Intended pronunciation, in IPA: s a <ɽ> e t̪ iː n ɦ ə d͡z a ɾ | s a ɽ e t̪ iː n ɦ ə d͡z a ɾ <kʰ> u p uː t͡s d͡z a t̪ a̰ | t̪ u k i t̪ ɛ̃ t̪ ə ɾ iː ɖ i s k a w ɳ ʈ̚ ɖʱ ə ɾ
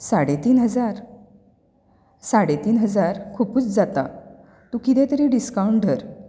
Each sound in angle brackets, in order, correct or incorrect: correct, correct

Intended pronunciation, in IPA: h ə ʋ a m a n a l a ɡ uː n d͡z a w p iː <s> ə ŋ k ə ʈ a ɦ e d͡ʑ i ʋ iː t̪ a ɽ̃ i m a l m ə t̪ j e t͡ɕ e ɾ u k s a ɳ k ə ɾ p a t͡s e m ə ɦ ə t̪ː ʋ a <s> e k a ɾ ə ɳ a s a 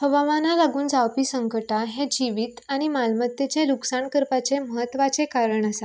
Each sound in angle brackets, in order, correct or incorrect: correct, incorrect: t͡s

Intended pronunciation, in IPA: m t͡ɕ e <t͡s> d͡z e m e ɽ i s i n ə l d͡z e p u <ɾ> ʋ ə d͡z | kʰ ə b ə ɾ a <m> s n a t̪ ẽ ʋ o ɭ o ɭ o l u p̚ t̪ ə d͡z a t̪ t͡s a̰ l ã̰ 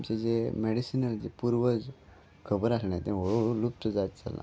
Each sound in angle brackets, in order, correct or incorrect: incorrect: none, correct, incorrect: none

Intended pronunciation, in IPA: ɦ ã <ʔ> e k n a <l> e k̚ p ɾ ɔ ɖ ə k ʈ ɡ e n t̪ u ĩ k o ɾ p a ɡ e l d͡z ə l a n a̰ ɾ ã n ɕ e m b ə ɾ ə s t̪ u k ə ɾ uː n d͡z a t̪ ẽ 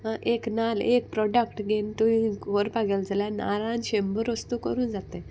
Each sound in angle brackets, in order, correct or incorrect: correct, correct

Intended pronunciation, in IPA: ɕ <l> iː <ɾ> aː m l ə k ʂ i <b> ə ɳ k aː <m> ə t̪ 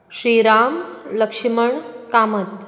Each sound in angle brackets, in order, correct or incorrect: incorrect: ɾ, correct, incorrect: m, correct

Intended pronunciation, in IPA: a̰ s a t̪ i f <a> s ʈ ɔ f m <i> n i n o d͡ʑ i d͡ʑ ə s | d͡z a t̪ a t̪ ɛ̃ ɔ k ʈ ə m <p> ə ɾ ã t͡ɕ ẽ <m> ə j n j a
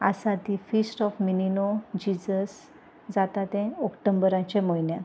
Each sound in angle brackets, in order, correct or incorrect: incorrect: i, correct, incorrect: b, correct

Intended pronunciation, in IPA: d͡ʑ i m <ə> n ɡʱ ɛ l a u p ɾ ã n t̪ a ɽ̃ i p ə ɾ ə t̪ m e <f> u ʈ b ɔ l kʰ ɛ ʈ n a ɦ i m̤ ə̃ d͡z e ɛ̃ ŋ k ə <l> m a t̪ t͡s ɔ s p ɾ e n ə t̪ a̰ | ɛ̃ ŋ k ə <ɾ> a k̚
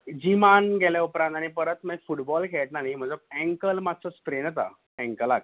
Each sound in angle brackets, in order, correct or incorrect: incorrect: a, correct, correct, incorrect: l

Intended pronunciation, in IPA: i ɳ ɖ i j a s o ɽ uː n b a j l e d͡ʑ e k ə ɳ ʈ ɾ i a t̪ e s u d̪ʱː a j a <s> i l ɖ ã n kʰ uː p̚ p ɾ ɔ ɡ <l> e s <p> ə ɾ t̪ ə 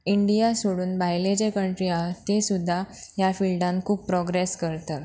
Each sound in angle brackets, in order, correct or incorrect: incorrect: f, incorrect: ɾ, incorrect: k

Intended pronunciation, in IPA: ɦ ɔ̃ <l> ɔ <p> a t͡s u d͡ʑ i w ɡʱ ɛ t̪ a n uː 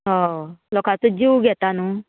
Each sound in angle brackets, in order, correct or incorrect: correct, incorrect: k

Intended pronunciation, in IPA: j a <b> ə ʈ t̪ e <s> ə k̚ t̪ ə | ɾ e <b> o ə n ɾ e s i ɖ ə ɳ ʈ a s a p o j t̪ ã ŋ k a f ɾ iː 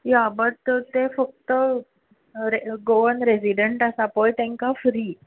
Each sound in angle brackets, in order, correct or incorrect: correct, incorrect: f, incorrect: ɡ

